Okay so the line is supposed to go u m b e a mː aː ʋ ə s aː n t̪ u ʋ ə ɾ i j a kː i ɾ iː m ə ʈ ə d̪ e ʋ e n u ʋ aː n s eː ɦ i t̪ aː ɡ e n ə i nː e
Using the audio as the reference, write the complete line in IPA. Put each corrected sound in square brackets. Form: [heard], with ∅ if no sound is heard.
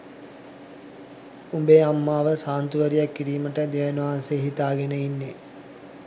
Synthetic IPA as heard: u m b e a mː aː ʋ ə s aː n t̪ u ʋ ə ɾ i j a kː i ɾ iː m ə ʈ ə d̪ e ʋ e n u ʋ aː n s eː ɦ i t̪ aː ɡ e n ə i nː e